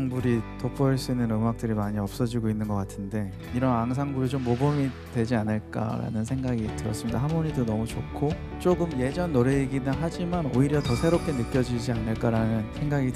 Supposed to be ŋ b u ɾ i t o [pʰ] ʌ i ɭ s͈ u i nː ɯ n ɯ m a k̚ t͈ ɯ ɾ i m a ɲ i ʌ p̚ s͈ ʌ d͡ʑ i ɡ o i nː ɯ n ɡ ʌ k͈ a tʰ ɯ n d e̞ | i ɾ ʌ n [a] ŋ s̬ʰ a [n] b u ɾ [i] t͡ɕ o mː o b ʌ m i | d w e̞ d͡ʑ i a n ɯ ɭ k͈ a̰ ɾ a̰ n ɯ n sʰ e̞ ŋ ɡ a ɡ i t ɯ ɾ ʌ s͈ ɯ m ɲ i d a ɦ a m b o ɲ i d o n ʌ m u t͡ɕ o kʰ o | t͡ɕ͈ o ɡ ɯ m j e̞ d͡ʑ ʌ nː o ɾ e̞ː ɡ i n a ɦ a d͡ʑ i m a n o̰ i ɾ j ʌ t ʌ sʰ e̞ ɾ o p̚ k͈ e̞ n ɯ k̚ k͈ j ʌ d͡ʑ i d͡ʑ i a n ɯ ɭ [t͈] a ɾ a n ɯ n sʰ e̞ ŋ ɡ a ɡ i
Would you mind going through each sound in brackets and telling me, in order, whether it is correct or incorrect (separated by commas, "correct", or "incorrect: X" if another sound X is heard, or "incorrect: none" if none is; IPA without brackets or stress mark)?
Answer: correct, correct, incorrect: ŋ, correct, incorrect: k͈